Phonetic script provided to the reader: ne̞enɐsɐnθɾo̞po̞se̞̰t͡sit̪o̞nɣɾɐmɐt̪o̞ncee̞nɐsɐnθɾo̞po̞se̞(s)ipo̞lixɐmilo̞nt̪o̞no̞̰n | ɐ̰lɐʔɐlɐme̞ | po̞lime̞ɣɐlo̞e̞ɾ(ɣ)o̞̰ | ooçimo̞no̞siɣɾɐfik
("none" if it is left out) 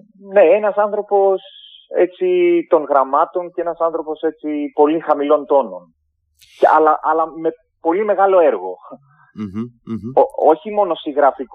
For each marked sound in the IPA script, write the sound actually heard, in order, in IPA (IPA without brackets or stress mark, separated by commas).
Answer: t͡s, ɣ